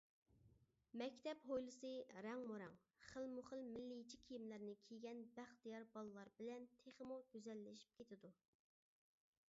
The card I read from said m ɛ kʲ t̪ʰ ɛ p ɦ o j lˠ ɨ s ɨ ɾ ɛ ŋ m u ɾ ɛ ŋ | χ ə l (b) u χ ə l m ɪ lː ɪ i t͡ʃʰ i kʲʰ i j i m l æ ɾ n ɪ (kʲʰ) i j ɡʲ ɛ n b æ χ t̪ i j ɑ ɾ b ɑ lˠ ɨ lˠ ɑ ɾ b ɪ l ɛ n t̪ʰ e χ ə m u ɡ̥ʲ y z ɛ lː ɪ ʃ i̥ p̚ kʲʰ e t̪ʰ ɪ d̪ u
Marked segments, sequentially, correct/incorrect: incorrect: m, correct

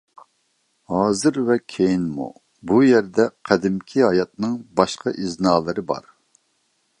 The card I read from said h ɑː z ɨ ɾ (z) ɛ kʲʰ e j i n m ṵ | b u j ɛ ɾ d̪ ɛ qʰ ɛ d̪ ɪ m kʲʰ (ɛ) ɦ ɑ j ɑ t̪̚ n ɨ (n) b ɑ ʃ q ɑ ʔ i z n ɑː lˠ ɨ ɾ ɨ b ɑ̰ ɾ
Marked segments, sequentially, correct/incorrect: incorrect: v, incorrect: i, incorrect: ŋ

